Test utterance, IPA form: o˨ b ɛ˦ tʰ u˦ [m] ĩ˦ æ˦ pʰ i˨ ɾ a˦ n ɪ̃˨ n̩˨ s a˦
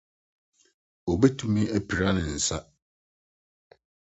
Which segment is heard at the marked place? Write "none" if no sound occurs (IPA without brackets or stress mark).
m